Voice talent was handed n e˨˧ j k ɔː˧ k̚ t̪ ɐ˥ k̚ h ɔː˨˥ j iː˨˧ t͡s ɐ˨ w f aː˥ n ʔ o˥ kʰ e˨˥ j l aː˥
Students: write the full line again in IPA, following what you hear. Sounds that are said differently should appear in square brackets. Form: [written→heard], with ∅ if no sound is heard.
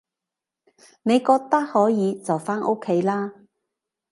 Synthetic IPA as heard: n e˨˧ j k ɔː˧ k̚ t̪ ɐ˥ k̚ h ɔː˨˥ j iː˨˧ t͡s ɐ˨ w f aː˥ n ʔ o˥ kʰ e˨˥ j l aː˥